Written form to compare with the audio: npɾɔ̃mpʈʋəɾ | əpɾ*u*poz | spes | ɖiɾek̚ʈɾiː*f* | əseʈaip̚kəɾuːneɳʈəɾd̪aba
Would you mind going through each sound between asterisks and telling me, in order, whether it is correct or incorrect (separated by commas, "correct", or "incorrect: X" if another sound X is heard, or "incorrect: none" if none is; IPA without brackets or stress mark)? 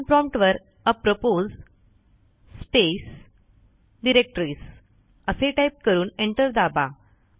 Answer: incorrect: o, incorrect: s